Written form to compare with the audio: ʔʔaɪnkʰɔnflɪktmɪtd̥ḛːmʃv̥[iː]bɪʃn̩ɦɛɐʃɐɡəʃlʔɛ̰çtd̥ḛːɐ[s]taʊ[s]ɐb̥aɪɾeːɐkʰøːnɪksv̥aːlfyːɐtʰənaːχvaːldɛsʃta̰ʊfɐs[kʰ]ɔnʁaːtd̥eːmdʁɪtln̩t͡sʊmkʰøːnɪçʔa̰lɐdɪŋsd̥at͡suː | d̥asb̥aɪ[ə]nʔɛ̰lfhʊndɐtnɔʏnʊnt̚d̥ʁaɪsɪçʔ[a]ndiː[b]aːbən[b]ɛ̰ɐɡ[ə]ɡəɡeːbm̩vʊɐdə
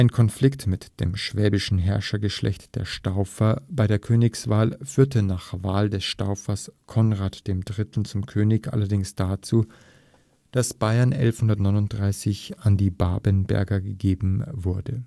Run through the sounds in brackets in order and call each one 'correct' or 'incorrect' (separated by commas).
incorrect, incorrect, incorrect, correct, incorrect, correct, correct, correct, incorrect